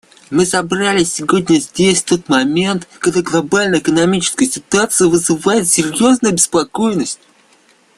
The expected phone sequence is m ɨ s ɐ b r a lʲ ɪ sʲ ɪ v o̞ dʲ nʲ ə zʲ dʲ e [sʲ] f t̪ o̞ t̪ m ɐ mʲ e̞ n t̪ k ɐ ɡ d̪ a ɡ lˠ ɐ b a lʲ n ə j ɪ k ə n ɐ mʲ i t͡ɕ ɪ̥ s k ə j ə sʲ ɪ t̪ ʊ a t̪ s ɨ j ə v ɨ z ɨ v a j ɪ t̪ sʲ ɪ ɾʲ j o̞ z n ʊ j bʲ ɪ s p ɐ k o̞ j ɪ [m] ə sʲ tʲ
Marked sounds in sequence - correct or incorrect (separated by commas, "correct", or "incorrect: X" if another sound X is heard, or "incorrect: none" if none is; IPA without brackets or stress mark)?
correct, incorrect: n